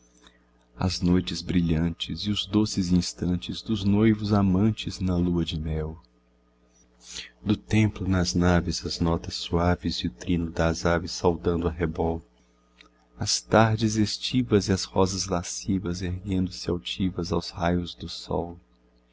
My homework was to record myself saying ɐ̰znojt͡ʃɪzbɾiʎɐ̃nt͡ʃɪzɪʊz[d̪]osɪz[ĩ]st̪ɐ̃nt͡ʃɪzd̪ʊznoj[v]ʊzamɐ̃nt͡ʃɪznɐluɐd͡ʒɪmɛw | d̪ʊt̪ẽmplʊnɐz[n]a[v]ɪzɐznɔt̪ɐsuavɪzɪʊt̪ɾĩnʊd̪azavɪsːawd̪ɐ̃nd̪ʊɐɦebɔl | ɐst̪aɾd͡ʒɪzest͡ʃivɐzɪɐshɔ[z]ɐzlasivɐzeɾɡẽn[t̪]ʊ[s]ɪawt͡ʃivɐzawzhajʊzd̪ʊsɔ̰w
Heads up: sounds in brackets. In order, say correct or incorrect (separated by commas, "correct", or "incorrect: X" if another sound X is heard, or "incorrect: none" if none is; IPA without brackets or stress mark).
correct, correct, correct, correct, correct, correct, incorrect: d̪, correct